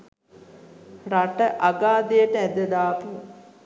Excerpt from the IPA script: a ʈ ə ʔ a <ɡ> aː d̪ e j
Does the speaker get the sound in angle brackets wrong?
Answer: no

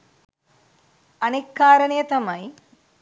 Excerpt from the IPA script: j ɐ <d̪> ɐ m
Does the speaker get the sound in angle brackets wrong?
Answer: yes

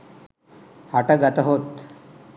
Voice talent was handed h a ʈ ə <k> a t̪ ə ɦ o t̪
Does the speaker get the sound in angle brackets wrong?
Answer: yes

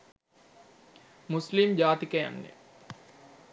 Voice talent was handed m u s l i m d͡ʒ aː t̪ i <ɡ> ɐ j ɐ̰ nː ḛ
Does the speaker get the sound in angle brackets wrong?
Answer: yes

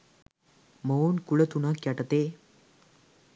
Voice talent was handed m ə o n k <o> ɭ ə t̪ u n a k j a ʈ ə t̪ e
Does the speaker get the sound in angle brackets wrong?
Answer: yes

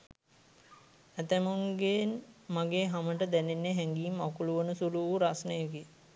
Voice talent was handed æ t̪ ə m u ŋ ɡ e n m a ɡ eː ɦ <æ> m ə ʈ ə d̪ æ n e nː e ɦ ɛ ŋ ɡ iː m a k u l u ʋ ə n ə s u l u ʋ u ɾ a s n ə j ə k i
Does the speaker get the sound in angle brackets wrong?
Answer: yes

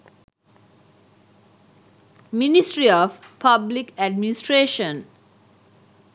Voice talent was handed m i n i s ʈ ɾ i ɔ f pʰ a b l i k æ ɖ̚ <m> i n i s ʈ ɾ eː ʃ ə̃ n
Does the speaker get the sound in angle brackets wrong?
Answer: no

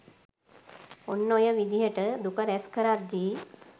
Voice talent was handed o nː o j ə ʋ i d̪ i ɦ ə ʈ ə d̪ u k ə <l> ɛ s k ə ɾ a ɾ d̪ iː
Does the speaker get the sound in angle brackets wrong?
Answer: yes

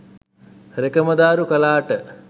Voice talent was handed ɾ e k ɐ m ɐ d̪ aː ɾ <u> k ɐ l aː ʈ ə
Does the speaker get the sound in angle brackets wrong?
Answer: no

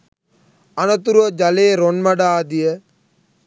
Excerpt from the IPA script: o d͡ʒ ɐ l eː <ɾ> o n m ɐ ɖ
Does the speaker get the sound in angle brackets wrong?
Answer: no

